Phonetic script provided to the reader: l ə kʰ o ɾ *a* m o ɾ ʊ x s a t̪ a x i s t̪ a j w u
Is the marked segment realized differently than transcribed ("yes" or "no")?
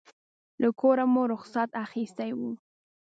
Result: no